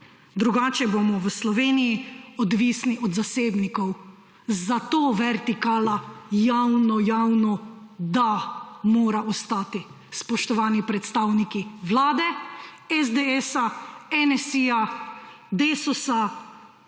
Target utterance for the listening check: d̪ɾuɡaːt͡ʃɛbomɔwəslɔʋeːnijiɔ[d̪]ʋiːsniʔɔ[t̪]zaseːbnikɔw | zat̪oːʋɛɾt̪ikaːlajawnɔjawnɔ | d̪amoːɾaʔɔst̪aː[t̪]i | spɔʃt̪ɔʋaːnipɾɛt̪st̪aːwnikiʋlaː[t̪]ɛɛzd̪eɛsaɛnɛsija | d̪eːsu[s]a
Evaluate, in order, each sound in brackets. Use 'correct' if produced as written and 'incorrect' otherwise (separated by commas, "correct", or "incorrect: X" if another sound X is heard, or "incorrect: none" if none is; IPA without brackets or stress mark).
correct, incorrect: d̪, correct, incorrect: d̪, correct